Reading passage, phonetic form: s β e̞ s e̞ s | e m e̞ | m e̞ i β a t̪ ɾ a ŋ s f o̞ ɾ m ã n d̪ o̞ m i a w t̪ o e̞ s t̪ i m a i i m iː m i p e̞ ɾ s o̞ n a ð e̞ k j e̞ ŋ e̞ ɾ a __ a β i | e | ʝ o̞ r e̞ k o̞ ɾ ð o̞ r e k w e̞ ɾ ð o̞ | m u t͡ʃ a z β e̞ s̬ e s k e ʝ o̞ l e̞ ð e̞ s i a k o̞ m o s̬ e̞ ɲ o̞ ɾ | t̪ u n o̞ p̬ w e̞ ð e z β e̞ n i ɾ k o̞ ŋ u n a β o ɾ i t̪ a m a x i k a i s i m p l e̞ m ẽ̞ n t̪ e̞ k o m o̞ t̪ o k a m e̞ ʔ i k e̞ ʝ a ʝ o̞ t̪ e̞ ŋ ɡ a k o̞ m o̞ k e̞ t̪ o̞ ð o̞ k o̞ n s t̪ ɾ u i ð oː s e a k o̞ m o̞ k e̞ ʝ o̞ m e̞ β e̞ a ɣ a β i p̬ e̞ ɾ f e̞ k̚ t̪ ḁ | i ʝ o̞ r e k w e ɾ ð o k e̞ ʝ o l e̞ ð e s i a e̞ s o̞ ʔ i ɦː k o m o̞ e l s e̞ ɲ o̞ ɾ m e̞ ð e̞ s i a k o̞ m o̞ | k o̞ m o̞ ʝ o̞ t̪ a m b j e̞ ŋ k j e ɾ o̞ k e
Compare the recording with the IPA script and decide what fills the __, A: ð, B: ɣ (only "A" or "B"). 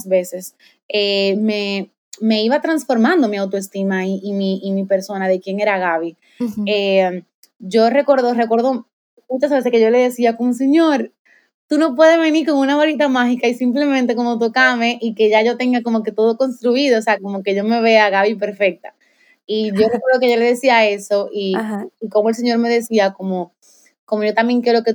B